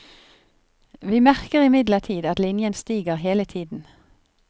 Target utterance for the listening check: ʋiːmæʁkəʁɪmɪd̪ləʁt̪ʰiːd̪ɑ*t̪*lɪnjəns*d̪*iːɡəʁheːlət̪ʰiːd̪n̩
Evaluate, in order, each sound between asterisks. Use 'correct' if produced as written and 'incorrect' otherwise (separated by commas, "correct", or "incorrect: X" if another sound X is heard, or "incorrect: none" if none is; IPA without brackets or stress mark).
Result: correct, incorrect: t̪